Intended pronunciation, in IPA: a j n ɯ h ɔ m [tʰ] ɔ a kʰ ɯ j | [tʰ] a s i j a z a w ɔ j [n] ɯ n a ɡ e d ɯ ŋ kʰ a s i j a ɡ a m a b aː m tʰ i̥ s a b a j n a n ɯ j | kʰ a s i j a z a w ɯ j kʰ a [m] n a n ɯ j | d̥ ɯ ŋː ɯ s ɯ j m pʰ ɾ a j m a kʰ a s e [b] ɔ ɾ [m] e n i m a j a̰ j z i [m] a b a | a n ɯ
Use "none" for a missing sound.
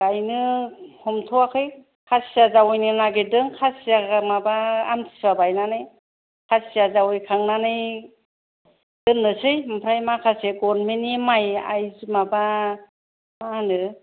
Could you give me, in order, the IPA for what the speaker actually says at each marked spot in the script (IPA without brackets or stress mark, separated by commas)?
tʰ, kʰ, n, ŋ, ɡ, m, m